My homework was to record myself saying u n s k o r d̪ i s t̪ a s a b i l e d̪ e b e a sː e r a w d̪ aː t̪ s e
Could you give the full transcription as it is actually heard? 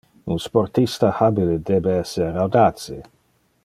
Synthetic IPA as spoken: u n s p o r t̪ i s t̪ a h a b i l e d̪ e b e ɛ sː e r a w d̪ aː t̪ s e